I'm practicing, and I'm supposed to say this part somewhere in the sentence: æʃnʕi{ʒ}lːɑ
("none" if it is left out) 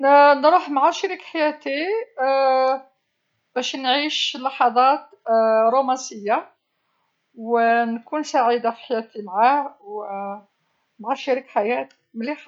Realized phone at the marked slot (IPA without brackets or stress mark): ʃ